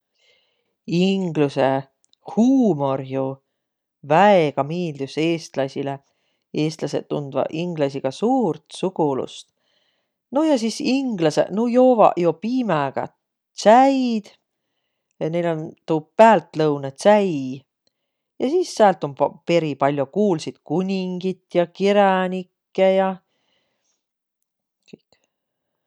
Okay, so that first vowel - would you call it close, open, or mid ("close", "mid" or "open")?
close